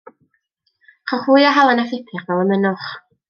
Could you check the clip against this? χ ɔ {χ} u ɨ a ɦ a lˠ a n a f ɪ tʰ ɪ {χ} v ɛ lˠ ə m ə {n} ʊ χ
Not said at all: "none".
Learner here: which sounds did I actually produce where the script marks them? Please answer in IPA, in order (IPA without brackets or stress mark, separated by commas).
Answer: χ, χ, n